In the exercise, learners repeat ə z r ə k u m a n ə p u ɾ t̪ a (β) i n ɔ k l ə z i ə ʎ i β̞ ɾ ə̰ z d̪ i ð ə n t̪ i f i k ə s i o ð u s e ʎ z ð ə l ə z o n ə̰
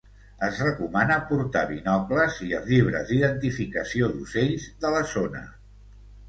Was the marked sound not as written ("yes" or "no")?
no